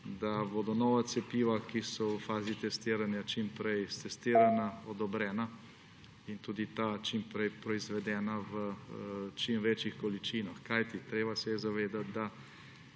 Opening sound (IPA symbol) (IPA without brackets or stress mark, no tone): d̪